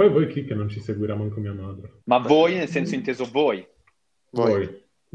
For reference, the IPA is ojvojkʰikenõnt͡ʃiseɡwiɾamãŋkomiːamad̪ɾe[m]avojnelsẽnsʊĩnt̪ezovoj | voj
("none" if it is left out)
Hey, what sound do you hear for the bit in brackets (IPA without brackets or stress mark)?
m